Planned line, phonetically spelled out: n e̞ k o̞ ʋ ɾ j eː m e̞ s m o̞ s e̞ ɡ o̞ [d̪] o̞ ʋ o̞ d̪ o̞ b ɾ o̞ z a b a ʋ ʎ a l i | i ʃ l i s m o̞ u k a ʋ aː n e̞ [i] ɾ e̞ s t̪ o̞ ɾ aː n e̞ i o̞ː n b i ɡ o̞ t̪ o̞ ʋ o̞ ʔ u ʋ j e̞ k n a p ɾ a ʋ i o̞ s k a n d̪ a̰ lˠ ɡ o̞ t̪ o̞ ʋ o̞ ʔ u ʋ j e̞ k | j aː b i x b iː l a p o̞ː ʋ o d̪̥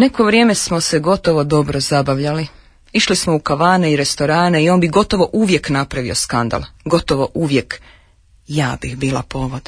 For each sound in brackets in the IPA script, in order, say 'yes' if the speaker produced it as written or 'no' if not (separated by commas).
no, yes